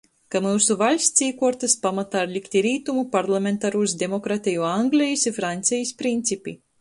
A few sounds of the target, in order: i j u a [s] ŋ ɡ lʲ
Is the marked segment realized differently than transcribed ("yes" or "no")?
yes